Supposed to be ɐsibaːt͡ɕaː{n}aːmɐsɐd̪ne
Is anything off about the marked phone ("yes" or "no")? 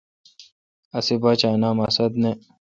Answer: no